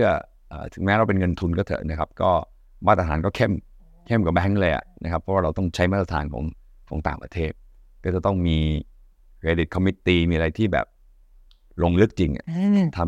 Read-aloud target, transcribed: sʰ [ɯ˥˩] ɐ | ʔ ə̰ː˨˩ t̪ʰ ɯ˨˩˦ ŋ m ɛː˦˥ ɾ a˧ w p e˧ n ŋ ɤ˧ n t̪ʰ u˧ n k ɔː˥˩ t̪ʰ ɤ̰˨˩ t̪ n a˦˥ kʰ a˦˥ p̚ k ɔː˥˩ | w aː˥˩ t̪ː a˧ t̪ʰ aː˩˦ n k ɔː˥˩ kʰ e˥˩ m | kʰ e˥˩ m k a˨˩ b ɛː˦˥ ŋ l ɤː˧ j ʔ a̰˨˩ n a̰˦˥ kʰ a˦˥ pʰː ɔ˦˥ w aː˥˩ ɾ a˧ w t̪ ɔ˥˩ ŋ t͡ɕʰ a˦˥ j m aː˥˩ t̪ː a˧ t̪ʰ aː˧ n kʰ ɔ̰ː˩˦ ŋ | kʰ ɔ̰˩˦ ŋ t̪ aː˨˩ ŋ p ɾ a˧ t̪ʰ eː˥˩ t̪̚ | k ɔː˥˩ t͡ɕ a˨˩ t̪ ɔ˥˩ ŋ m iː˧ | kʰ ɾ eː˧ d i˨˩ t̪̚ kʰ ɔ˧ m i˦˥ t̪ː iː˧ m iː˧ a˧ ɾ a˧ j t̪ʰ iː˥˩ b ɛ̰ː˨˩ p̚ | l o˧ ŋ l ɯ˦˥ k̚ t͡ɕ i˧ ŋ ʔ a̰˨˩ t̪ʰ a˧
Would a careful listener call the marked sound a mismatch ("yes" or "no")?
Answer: no